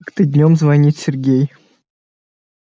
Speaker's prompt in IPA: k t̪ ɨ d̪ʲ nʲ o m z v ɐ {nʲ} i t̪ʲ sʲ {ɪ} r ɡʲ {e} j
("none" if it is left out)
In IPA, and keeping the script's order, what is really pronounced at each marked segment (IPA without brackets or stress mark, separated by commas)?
nʲ, ɪ, e